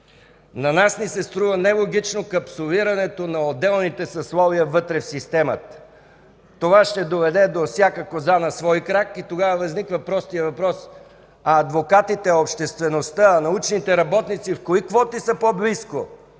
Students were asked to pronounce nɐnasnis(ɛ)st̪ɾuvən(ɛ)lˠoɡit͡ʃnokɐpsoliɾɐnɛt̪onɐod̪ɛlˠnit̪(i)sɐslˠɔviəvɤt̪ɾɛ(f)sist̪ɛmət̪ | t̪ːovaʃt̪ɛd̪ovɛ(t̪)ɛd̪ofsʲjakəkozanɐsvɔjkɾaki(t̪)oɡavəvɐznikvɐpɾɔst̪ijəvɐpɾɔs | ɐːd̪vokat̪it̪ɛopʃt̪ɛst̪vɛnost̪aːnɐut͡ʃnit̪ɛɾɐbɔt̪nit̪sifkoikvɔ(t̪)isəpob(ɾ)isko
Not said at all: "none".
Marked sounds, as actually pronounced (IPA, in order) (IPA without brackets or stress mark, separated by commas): ɛ, ɛ, ɛ, f, d̪, t̪, t̪, l